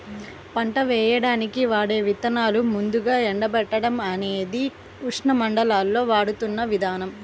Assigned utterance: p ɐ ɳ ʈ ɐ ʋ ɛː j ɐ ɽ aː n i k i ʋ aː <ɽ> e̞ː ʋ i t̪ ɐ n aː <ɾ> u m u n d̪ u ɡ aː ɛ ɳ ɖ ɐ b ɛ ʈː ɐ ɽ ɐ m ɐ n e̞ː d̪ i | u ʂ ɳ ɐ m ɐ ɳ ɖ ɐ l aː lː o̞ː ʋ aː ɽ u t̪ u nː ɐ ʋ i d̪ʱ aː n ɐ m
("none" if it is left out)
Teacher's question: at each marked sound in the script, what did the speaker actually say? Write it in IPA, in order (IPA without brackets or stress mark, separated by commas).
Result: ɽ, l